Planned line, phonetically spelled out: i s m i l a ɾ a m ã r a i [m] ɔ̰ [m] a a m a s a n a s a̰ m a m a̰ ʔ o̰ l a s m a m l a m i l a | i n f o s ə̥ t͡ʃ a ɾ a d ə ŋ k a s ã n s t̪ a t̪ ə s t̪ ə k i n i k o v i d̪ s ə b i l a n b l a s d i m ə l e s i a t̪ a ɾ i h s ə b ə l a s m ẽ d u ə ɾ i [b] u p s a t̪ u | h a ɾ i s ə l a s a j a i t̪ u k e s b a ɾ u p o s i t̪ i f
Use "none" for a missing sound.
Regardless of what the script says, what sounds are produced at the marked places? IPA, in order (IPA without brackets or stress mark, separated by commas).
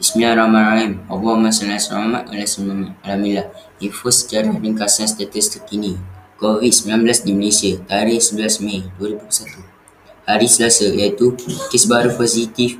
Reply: m, b, b